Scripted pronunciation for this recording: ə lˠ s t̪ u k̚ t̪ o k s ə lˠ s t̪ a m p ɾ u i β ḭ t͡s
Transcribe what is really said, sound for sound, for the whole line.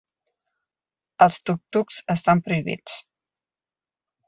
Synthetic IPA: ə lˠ s t̪ u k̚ t̪ u k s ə s t̪ a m p ɾ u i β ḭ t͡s